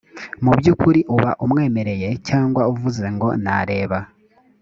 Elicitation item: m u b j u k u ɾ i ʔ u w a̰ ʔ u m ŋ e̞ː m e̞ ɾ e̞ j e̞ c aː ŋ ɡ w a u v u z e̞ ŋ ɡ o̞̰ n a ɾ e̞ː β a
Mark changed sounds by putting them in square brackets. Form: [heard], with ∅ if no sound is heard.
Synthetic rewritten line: m u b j u k u ɾ i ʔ u [β] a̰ ʔ u m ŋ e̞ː m e̞ ɾ e̞ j e̞ c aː ŋ ɡ w a u v u z e̞ ŋ ɡ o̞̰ n a ɾ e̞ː β a